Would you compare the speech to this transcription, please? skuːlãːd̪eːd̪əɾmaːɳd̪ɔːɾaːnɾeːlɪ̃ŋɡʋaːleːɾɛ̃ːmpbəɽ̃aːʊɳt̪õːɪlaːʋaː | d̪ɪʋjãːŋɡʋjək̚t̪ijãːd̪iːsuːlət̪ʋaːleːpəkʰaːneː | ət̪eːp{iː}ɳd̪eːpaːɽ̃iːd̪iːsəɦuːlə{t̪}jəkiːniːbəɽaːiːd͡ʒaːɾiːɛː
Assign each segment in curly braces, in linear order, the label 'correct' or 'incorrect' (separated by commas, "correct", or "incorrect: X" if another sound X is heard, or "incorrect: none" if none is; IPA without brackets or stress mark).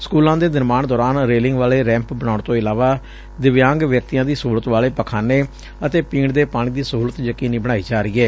correct, correct